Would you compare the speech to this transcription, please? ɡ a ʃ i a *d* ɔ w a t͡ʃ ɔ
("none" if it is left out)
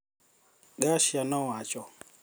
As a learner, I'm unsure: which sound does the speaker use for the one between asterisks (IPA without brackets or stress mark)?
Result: n